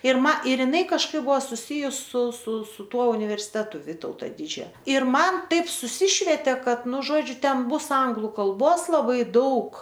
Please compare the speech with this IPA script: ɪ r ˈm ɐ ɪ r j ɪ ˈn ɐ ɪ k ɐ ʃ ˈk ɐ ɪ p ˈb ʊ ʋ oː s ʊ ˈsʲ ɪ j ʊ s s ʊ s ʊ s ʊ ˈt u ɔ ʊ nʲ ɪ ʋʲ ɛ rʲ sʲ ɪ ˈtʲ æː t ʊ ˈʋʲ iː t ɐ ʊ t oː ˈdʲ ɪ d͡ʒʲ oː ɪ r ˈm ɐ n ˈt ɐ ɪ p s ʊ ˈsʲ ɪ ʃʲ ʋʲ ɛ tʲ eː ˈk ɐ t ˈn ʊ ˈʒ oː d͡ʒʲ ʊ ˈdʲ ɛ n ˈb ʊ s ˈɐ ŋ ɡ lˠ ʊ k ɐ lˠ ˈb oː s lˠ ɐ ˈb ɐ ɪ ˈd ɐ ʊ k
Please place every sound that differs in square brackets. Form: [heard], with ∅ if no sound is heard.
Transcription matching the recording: ɪ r ˈm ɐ ɪ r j ɪ ˈn ɐ ɪ k ɐ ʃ ˈk ɐ ɪ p ˈb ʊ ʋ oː s ʊ ˈsʲ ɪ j ʊ s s ʊ s ʊ s ʊ ˈt u ɔ ʊ nʲ ɪ ʋʲ ɛ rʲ sʲ ɪ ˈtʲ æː t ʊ ˈʋʲ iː t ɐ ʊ t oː ˈdʲ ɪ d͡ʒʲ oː ɪ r ˈm ɐ n ˈt ɐ ɪ p s ʊ ˈsʲ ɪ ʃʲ ʋʲ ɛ tʲ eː ˈk ɐ t ˈn ʊ ˈʒ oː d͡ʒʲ ʊ [ˈtʲ] ɛ n ˈb ʊ s ˈɐ ŋ ɡ lˠ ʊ k ɐ lˠ ˈb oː s lˠ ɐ ˈb ɐ ɪ ˈd ɐ ʊ k